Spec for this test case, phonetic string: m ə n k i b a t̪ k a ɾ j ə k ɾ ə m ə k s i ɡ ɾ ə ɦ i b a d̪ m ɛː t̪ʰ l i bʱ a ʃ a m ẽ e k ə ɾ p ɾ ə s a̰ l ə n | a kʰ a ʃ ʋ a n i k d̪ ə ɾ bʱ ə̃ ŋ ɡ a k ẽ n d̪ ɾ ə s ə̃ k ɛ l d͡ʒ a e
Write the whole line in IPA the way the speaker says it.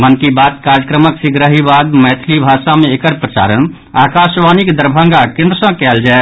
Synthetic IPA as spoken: m ə n k i b a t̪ k a ɾ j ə k ɾ ə m ə k s i ɡ ɾ ə ɦ i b a d̪ m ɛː t̪ʰ l i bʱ a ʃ a m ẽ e k ə ɾ p ɾ ə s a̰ ɾ ə n | a k a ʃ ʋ a n i k d̪ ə ɾ bʱ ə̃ ŋ ɡ a k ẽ n d̪ ɾ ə s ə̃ k ɛ l d͡ʒ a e